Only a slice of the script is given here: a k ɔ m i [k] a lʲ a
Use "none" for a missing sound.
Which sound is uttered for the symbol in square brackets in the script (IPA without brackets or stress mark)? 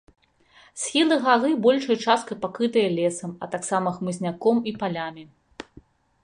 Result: p